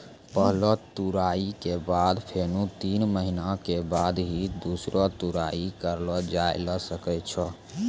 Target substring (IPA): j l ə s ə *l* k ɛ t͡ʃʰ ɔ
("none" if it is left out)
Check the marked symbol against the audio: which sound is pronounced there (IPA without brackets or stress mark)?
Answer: none